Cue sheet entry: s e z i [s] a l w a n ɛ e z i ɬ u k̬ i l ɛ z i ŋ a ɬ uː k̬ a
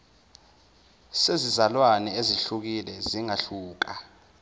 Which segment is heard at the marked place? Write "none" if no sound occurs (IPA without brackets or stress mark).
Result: z